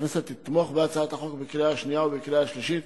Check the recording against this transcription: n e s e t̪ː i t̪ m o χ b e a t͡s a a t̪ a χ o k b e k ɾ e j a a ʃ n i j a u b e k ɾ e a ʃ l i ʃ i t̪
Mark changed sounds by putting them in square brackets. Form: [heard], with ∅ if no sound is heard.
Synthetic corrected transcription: n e s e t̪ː i t̪ m o χ b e a t͡s a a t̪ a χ o k b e k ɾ e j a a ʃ n i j a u b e k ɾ e a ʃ l i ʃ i t̪